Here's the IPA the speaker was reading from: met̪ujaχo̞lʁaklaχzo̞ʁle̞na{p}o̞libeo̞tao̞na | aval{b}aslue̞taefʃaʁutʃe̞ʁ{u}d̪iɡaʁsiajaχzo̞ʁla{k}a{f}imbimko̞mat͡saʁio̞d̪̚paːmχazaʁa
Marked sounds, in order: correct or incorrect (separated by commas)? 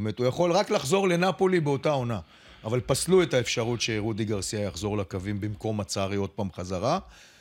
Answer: correct, incorrect, correct, correct, incorrect